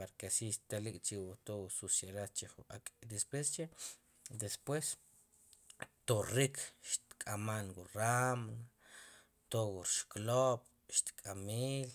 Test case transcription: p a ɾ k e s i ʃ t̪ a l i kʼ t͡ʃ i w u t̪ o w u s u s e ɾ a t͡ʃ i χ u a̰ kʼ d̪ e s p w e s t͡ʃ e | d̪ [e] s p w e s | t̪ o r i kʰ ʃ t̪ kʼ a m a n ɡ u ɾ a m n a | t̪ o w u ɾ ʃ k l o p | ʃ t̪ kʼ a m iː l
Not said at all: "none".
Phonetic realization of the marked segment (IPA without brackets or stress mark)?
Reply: e